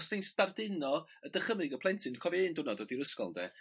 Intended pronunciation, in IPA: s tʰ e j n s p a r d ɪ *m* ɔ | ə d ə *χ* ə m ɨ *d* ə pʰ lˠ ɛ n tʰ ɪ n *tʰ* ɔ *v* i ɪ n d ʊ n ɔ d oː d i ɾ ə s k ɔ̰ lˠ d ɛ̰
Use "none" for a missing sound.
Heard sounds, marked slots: n, χ, ɡ, kʰ, v

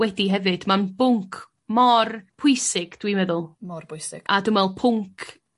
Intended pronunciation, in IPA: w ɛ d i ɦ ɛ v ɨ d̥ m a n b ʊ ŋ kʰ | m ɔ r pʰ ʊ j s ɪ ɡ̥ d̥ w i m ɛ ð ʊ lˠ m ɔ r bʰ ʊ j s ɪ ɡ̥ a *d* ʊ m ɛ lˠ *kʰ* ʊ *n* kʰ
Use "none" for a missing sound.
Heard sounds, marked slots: d, pʰ, ŋ

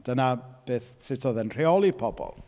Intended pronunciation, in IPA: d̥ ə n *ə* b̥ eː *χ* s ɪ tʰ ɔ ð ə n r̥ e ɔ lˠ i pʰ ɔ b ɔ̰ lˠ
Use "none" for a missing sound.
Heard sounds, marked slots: a, θ

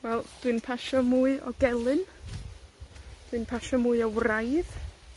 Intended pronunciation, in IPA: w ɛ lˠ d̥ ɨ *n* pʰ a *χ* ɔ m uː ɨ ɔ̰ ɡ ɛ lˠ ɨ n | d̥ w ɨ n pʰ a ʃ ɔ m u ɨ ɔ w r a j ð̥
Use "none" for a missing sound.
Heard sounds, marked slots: n, ʃ

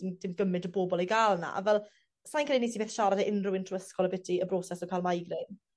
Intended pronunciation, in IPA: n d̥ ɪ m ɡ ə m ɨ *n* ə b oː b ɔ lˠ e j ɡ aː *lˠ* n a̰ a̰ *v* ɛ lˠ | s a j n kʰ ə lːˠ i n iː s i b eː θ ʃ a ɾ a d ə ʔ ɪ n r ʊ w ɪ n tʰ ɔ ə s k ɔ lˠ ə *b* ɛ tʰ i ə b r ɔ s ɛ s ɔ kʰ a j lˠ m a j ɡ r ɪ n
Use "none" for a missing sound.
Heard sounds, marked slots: d, lˠ, v, b

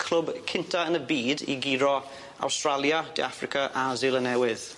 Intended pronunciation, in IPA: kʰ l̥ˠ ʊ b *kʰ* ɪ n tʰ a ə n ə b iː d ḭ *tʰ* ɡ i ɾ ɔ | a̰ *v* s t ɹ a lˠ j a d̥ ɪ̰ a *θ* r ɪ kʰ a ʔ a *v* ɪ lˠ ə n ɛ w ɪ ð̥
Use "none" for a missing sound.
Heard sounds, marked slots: kʰ, none, w, f, z

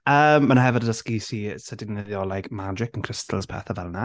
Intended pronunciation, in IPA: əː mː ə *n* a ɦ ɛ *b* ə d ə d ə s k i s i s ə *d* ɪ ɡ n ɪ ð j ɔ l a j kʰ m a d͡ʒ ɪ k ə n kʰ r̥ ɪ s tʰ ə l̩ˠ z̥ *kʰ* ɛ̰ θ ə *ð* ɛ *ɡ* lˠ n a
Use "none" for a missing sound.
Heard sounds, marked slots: n, v, d, pʰ, v, none

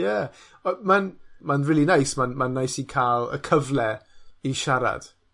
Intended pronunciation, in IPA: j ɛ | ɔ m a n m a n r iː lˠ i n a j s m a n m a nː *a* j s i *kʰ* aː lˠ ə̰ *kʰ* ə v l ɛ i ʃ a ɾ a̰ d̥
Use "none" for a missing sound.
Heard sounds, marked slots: a, kʰ, kʰ

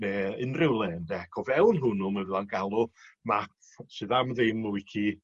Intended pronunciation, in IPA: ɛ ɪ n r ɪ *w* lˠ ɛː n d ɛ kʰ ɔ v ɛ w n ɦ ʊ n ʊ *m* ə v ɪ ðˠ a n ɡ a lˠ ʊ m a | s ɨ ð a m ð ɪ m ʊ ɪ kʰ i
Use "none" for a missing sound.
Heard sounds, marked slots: w, m

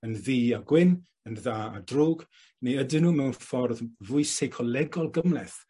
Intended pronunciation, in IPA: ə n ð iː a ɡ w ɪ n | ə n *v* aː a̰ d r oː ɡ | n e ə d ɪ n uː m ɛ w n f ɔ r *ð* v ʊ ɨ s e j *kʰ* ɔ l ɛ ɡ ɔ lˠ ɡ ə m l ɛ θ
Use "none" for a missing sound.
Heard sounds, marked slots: ð, ð, kʰ

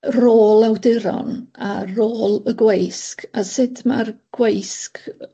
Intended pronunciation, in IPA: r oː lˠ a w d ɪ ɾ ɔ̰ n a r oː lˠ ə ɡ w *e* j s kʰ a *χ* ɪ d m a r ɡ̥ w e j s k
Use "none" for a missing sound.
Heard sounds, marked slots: e, s

